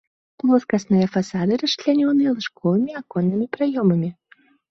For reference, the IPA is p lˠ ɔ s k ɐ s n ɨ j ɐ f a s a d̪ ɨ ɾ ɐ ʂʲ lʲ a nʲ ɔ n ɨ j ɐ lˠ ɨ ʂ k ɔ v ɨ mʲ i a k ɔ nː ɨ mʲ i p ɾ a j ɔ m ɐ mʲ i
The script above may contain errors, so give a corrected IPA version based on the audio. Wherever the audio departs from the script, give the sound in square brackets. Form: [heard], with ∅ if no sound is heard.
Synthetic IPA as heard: p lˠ ɔ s k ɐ s n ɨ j ɐ f a s a d̪ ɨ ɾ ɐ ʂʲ lʲ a nʲ ɔ n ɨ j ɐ lˠ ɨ ʂ k ɔ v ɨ mʲ i a k ɔ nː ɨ mʲ i p ɾ a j ɔ m ɐ mʲ i

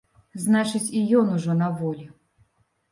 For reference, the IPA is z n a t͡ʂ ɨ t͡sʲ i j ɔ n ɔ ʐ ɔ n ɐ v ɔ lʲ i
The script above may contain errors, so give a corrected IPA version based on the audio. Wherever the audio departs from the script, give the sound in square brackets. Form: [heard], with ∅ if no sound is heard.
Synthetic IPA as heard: z n a t͡ʂ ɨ t͡sʲ i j ɔ n [u] ʐ ɔ n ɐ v ɔ lʲ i

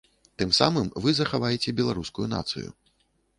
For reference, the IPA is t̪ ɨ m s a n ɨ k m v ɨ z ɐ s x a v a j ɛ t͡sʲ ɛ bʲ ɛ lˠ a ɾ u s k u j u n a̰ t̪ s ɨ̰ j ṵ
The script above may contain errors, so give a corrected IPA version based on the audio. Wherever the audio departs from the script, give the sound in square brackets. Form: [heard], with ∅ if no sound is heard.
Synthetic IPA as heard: t̪ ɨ m s a [m] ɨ [∅] m v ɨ z ɐ [∅] x a v a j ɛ t͡sʲ ɛ bʲ ɛ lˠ a ɾ u s k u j u n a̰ t̪ s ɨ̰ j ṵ

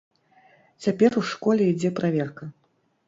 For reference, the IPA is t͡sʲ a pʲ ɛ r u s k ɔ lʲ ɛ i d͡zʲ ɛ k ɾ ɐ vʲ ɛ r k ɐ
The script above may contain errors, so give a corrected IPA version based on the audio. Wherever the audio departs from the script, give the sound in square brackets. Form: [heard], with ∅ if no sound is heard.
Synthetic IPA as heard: t͡sʲ a pʲ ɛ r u [ʂ] k ɔ lʲ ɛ i d͡zʲ ɛ [p] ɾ [a] vʲ ɛ r k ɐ

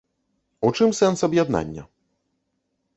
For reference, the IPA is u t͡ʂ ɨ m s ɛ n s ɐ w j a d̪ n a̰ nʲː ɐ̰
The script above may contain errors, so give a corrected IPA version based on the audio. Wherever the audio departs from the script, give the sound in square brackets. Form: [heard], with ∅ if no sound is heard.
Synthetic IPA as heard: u t͡ʂ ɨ m s ɛ n s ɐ [b] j a d̪ n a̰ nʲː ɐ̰

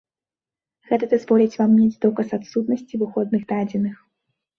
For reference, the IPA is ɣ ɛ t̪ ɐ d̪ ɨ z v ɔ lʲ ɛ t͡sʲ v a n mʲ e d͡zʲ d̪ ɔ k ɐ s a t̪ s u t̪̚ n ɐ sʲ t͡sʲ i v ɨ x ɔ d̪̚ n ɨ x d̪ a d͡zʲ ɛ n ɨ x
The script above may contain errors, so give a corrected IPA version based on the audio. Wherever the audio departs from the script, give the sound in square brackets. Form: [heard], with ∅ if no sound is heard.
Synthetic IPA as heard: ɣ ɛ t̪ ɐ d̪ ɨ z v ɔ lʲ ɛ t͡sʲ v a [m] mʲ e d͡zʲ d̪ ɔ k ɐ s a t̪ s u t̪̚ n ɐ sʲ t͡sʲ i v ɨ x ɔ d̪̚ n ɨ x d̪ a d͡zʲ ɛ n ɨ x

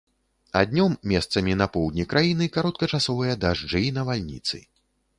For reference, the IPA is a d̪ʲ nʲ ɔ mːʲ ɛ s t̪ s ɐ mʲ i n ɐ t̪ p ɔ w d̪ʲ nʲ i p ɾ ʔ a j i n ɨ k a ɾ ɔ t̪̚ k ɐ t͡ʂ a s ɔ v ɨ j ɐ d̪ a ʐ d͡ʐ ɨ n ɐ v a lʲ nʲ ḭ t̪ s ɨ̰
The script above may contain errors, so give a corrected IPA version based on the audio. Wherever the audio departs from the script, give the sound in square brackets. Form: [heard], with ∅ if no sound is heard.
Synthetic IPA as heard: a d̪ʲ nʲ ɔ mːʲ ɛ s t̪ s ɐ mʲ i n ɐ [∅] p ɔ w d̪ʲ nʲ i [k] ɾ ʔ a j i n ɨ k a ɾ ɔ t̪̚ k ɐ t͡ʂ a s ɔ v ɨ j ɐ d̪ a ʐ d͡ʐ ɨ n ɐ v a lʲ nʲ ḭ t̪ s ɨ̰

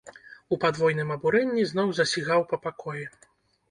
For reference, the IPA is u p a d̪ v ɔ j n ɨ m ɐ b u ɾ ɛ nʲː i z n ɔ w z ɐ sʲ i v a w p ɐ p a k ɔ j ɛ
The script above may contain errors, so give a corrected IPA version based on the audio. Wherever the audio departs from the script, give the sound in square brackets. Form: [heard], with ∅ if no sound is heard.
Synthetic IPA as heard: u p a d̪ v ɔ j n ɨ m ɐ b u ɾ ɛ nʲː i z n ɔ w z ɐ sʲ i [ɣ] a w p ɐ p a k ɔ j ɛ

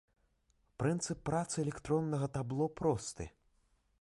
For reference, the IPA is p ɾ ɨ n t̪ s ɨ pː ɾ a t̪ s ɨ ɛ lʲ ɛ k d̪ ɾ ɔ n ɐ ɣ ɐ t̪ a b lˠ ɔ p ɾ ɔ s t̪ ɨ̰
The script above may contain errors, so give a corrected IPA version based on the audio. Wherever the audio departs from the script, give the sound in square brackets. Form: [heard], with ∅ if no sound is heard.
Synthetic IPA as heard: p ɾ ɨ n t̪ s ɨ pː ɾ a t̪ s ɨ ɛ lʲ ɛ k [t̪] ɾ ɔ [nː] ɐ ɣ ɐ t̪ a b lˠ ɔ p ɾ ɔ s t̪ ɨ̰

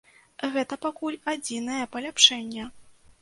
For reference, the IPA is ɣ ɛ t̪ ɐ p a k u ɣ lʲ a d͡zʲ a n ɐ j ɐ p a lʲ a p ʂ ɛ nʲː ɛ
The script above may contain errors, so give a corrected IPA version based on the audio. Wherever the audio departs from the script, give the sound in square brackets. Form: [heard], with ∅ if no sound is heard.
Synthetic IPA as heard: ɣ ɛ t̪ ɐ p a k u [∅] lʲ a d͡zʲ [i] n ɐ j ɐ p [ɐ] lʲ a p ʂ ɛ nʲː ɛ

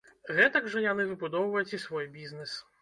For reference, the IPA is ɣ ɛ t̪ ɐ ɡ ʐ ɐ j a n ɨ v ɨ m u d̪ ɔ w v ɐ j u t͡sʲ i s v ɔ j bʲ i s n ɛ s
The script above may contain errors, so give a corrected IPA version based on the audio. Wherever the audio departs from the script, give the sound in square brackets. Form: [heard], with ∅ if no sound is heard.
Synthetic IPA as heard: ɣ ɛ t̪ ɐ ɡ ʐ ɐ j a n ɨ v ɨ [b] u d̪ ɔ w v ɐ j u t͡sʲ i s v ɔ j bʲ i [z] n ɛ s

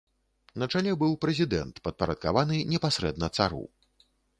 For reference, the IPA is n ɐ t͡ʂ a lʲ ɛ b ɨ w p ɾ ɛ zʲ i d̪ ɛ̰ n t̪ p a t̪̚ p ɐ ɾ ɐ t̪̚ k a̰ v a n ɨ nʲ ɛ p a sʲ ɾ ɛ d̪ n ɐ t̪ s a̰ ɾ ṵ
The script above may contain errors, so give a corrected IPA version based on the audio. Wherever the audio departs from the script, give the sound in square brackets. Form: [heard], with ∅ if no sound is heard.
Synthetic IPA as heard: n ɐ t͡ʂ a lʲ ɛ b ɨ w p ɾ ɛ zʲ i d̪ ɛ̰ n t̪ p [ɐ] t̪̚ p ɐ ɾ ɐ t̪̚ k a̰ v a n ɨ nʲ ɛ p a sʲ ɾ ɛ d̪ n ɐ t̪ s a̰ ɾ ṵ

